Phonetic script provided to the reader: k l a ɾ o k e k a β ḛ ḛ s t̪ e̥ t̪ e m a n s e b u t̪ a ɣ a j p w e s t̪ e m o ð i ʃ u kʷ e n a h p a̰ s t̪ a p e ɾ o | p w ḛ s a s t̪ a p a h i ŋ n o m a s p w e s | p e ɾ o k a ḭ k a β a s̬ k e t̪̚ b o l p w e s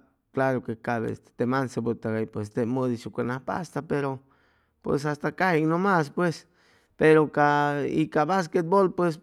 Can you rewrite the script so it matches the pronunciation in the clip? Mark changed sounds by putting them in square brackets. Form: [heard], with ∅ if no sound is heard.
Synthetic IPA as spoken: k l a ɾ o k e k a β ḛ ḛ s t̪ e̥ t̪ e m a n s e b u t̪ a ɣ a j p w e s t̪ e m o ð i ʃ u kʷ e n a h p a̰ s t̪ a p e ɾ o | p w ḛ s a s t̪ a [k] a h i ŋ n o m a s p w e s | p e ɾ o k a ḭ k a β a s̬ k e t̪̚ b o l p w e s